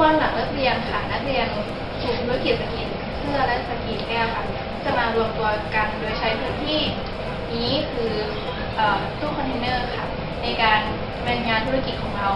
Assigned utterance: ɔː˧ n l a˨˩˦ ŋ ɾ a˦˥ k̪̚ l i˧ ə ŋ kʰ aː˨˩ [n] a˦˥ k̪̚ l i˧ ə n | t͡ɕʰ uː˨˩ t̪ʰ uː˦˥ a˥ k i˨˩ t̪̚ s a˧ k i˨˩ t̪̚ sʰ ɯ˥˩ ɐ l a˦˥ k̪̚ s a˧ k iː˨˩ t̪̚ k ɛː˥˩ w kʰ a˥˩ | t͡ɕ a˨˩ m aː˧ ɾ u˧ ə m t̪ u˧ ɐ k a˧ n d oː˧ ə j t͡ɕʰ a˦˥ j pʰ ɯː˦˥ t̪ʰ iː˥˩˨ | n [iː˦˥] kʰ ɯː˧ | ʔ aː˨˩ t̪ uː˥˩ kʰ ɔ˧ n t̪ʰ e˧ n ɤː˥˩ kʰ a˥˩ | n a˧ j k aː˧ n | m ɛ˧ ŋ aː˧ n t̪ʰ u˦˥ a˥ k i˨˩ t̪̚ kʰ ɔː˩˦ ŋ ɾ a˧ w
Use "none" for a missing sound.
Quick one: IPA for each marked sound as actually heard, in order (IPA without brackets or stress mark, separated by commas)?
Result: n, iː˦˥